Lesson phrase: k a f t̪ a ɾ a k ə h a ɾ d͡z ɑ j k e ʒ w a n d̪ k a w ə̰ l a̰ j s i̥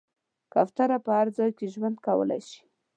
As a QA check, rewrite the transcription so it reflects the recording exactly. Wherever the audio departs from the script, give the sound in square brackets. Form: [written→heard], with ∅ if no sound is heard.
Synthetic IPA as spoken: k a f t̪ a ɾ a [k→p] ə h a ɾ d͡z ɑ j k e ʒ w a n d̪ k a w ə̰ l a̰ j [s→ʃ] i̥